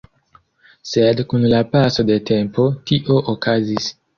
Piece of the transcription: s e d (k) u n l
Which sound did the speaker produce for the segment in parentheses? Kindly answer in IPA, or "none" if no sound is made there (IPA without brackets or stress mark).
k